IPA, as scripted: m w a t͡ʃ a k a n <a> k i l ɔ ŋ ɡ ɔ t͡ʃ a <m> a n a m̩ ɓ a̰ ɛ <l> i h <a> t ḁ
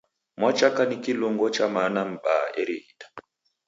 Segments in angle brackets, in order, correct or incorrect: incorrect, correct, incorrect, incorrect

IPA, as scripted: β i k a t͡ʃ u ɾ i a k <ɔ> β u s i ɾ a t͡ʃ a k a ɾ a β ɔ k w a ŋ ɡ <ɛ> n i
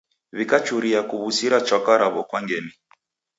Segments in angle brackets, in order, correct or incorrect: incorrect, correct

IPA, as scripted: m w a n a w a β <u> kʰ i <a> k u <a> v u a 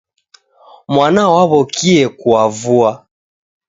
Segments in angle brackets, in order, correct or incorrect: incorrect, incorrect, correct

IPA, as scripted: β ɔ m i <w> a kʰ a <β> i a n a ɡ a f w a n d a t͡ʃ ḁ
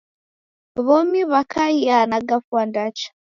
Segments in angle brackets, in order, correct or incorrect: incorrect, incorrect

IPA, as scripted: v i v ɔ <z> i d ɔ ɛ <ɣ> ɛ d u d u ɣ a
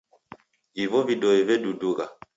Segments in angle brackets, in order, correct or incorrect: incorrect, incorrect

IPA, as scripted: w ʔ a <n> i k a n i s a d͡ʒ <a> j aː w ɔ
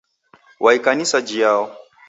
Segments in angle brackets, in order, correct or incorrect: incorrect, incorrect

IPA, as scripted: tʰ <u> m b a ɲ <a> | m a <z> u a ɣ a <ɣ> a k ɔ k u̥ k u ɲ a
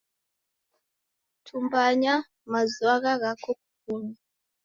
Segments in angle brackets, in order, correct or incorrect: correct, correct, correct, correct

